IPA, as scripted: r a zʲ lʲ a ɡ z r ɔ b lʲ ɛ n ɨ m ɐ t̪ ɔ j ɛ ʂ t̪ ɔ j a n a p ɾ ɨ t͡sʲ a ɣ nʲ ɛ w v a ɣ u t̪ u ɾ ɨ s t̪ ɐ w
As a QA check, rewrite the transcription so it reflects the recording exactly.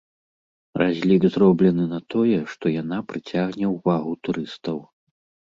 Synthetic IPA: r a zʲ lʲ i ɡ z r ɔ b lʲ ɛ n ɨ n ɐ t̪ ɔ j ɛ ʂ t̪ ɔ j a n a p ɾ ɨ t͡sʲ a ɣ nʲ ɛ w v a ɣ u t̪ u ɾ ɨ s t̪ ɐ w